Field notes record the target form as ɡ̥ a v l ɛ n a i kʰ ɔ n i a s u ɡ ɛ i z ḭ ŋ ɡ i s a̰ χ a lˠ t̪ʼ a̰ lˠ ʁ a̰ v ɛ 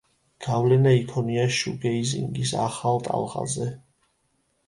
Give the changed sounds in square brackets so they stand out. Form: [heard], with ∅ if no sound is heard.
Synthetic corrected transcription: ɡ̥ a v l ɛ n a i kʰ ɔ n i a [ʃ] u ɡ ɛ i z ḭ ŋ ɡ i s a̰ χ a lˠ t̪ʼ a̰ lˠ ʁ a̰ [z] ɛ

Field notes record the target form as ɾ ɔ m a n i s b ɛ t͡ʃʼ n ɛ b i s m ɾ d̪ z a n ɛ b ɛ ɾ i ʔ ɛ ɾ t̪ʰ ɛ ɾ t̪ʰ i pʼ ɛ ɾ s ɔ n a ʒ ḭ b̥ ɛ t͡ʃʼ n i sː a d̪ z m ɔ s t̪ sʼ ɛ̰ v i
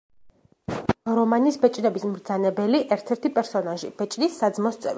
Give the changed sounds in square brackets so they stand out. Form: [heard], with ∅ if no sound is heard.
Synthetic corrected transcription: ɾ ɔ m a n i s b ɛ t͡ʃʼ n ɛ b i s m ɾ d̪ z a n ɛ b ɛ [l] i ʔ ɛ ɾ t̪ʰ ɛ ɾ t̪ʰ i pʼ ɛ ɾ s ɔ n a ʒ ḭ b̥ ɛ t͡ʃʼ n i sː a d̪ z m ɔ s t̪ sʼ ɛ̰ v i

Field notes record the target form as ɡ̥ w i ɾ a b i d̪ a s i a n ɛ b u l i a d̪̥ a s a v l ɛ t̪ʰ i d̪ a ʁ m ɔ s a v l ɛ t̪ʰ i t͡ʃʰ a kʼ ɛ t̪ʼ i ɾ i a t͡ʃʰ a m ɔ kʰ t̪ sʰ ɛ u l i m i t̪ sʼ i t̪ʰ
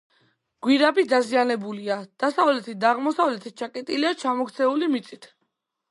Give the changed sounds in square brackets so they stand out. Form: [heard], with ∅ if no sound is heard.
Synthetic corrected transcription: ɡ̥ w i ɾ a b i d̪ a [z] i a n ɛ b u l i a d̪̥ a s a v l ɛ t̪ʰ i d̪ a ʁ m ɔ s a v l ɛ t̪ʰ i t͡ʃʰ a kʼ ɛ t̪ʼ i [l] i a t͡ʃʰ a m ɔ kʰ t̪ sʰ ɛ u l i m i t̪ sʼ i t̪ʰ

